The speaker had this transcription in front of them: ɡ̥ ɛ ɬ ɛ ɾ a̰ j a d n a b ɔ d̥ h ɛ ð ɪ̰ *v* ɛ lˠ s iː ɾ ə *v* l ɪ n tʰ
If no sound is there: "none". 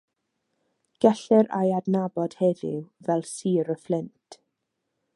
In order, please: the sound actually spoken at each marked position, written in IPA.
v, f

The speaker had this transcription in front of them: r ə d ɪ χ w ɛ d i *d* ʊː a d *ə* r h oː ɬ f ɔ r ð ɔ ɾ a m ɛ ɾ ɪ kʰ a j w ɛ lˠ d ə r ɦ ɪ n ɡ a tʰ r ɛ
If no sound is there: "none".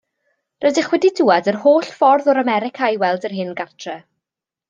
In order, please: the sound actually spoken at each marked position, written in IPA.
d, ə

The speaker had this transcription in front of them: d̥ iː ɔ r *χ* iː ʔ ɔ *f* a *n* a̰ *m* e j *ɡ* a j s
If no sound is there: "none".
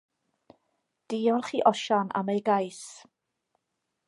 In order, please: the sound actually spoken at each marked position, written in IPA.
χ, ʃ, n, m, ɡ

